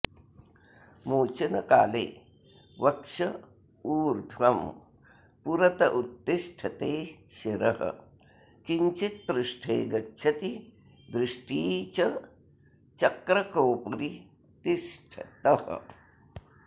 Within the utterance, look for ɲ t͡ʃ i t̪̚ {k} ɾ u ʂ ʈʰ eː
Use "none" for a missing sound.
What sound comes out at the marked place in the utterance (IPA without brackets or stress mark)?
p